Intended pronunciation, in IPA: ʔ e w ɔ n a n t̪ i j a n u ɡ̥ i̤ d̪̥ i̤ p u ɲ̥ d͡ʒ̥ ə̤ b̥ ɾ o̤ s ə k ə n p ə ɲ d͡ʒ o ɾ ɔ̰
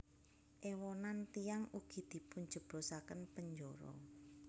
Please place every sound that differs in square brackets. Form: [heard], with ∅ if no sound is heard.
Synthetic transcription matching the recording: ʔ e w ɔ n a n t̪ i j a [ŋ] u ɡ̥ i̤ d̪̥ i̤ p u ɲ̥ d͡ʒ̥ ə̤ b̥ ɾ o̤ s [a] k ə n p ə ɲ d͡ʒ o ɾ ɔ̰